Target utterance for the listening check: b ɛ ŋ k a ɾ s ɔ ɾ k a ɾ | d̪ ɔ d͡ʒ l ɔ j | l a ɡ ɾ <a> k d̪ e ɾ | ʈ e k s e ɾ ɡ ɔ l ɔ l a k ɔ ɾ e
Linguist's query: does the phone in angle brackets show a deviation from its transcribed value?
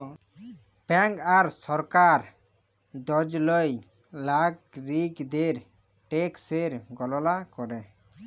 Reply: yes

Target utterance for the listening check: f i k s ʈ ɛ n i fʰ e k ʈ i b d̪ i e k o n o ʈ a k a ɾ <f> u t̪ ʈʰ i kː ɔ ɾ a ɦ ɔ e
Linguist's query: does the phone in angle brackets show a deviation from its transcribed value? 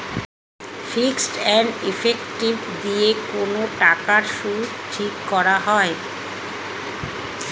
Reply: yes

